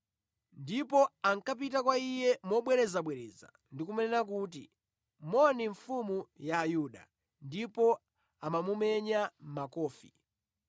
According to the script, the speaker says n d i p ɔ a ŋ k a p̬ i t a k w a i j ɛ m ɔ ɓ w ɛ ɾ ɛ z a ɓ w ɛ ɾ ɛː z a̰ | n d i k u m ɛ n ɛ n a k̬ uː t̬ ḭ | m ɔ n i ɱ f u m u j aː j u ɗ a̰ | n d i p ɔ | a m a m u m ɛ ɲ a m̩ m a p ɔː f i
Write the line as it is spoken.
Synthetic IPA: n d i p ɔ a ŋ k a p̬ i t a k w a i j ɛ m ɔ ɓ w ɛ ɾ ɛ z a ɓ w ɛ ɾ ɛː z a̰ | n d i k u m ɛ n ɛ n a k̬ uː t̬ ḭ | m ɔ n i ɱ f u m u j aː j u ɗ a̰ | n d i p ɔ | a m a m u m ɛ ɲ a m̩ m a k ɔː f i

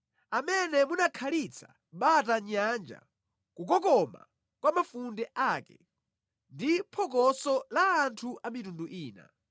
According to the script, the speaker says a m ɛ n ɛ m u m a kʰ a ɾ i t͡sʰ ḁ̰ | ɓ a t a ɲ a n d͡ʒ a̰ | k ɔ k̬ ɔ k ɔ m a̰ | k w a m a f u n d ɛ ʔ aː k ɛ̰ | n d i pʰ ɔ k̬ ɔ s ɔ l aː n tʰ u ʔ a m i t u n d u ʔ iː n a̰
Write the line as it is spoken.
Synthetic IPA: a m ɛ n ɛ m u n a kʰ a l i t͡sʰ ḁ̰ | ɓ a t a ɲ a n d͡ʒ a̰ | k u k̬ ɔ k ɔ m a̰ | k w a m a f u n d ɛ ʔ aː k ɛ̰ | n d i pʰ ɔ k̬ ɔ s ɔ l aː n tʰ u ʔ a m i t u n d u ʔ iː n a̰

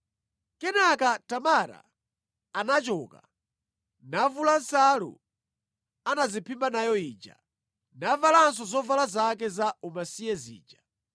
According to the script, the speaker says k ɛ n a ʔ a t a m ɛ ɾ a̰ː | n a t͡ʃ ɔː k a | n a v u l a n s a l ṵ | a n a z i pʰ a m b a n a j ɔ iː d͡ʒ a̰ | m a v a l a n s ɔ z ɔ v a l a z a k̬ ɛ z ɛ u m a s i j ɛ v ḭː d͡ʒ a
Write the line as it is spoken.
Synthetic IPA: k ɛ n a k a t a m a ɾ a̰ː | n a t͡ʃ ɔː k a | n a v u l a n s a l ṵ | a n a z i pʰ i m b a n a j ɔ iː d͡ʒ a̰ | n a v a l a n s ɔ z ɔ v a l a z a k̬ ɛ z a u m a s i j ɛ z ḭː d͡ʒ a

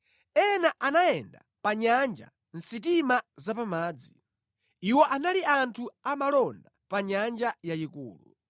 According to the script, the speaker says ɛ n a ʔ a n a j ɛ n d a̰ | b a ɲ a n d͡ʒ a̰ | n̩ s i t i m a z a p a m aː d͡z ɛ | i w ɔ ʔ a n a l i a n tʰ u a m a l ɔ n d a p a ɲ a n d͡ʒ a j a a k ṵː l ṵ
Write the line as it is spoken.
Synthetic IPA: ɛ n a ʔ a n a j ɛ n d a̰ | p a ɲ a n d͡ʒ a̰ | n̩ s i t i m a z a p a m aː d͡z i | i w ɔ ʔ a n a l i a n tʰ u a m a l ɔ n d a p a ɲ a n d͡ʒ a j a i k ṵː l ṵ

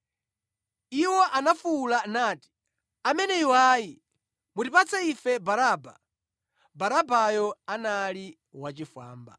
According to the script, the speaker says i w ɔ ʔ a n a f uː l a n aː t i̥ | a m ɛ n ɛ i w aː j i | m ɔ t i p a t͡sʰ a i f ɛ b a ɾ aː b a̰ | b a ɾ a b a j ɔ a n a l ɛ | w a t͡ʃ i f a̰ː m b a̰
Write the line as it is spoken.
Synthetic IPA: i w ɔ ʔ a n a f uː l a n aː t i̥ | a m ɛ n ɛ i w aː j i | m u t i p a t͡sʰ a i f ɛ b a ɾ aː b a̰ | b a ɾ a b a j ɔ a n a l i | w a t͡ʃ i f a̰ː m b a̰

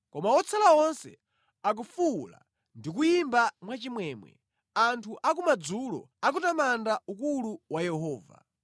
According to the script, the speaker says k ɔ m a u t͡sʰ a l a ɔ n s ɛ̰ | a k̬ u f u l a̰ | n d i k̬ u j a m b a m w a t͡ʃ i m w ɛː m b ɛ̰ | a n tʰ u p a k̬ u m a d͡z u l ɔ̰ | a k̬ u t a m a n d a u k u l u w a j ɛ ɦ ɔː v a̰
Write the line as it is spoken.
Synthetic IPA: k ɔ m a ɔ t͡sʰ a l a ɔ n s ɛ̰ | a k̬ u f u l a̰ | n d i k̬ u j i m b a m w a t͡ʃ i m w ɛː m w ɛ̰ | a n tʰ u ʔ a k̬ u m a d͡z u l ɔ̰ | a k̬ u t a m a n d a u k u l u w a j ɛ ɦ ɔː v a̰

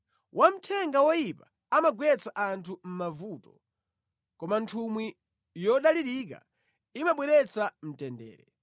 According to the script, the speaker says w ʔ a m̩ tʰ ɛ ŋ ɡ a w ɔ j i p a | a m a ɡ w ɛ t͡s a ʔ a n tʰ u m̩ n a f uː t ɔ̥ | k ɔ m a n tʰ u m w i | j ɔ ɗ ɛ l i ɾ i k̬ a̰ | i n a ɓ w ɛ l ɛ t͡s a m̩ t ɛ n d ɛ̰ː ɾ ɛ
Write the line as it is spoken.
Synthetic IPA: w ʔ a m̩ tʰ ɛ ŋ ɡ a w ɔ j i p a | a m a ɡ w ɛ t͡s a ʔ a n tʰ u m̩ m a v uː t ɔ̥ | k ɔ m a n tʰ u m w i | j ɔ ɗ a l i ɾ i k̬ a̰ | i m a ɓ w ɛ ɾ ɛ t͡s a m̩ t ɛ n d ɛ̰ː ɾ ɛ

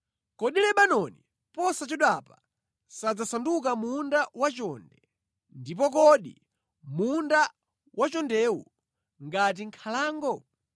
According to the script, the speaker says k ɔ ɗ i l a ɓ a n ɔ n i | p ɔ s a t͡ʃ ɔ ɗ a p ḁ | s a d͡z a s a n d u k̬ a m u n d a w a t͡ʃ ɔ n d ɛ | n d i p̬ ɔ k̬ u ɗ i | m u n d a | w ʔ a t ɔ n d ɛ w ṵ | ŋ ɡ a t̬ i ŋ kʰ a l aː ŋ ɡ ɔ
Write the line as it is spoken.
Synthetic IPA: k ɔ ɗ i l ɛ ɓ a n ɔ n i | p ɔ s a t͡ʃ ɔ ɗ a p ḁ | s a d͡z a s a n d u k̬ a m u n d a w a t͡ʃ ɔ n d ɛ | n d i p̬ ɔ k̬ ɔ ɗ i | m u n d a | w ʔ a t͡ʃ ɔ n d ɛ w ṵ | ŋ ɡ a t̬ i ŋ kʰ a l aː ŋ ɡ ɔ

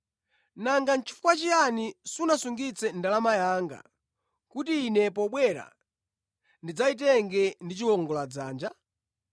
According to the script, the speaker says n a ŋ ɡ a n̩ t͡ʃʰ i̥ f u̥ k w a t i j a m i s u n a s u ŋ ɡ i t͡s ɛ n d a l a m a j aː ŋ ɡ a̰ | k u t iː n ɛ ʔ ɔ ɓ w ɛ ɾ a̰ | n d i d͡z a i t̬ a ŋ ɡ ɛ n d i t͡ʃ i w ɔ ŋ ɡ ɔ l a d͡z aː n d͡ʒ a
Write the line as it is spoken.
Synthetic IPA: n a ŋ ɡ a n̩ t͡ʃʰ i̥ f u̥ k w a t͡ʃ i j a n i s u n a s u ŋ ɡ i t͡s ɛ n d a l a m a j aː ŋ ɡ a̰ | k u t iː n ɛ p ɔ ɓ w ɛ ɾ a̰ | n d i d͡z a i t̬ ɛ ŋ ɡ ɛ n d i t͡ʃ i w ɔ ŋ ɡ ɔ l a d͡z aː n d͡ʒ a

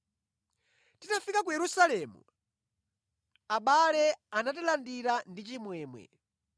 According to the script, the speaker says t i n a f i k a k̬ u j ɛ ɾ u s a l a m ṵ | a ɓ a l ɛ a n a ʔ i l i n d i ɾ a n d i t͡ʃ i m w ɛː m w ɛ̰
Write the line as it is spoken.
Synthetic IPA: t i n a f i k a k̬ u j ɛ ɾ u s a l ɛ m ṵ | a ɓ a l ɛ a n a t i l a n d i ɾ a n d i t͡ʃ i m w ɛː m w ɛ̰

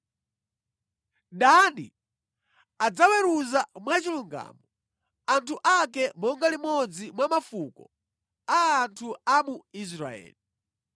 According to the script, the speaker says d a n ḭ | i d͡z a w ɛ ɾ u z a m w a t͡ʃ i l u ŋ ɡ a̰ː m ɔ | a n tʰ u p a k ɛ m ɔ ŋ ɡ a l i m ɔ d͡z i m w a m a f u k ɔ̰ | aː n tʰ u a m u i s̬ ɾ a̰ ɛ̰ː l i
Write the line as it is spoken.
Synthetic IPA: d a n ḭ | a d͡z a w ɛ ɾ u z a m w a t͡ʃ i l u ŋ ɡ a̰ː m ɔ | a n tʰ u ʔ a k ɛ m ɔ ŋ ɡ a l i m ɔ d͡z i m w a m a f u k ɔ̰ | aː n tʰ u a m u i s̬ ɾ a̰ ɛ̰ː l i

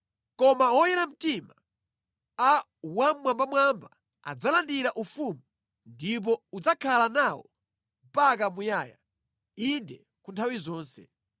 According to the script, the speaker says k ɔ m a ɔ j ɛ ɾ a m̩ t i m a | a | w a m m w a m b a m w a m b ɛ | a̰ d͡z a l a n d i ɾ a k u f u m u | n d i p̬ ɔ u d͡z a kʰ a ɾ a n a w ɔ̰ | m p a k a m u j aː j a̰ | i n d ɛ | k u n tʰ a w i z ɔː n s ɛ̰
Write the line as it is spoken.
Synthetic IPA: k ɔ m a ɔ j ɛ ɾ a m̩ t i m a | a | w a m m w a m b a m w a m b a | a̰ d͡z a l a n d i ɾ a ʔ u f u m u | n d i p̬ ɔ u d͡z a kʰ a l a n a w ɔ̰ | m p a k a m u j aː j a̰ | i n d ɛ | k u n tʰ a w i z ɔː n s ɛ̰

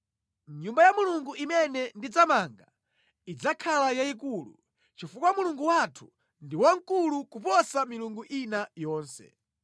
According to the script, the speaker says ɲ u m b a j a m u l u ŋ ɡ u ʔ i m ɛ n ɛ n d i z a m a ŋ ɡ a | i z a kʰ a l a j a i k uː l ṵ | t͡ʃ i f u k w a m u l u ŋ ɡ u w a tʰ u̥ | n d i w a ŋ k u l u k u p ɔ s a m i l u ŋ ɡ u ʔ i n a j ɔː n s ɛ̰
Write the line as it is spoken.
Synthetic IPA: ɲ u m b a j a m u l u ŋ ɡ u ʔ i m ɛ n ɛ n d i d͡z a m a ŋ ɡ a | i d͡z a kʰ a l a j a i k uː l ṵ | t͡ʃ i f u k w a m u l u ŋ ɡ u w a tʰ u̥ | n d i w a ŋ k u l u k u p ɔ s a m i l u ŋ ɡ u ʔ i n a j ɔː n s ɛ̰

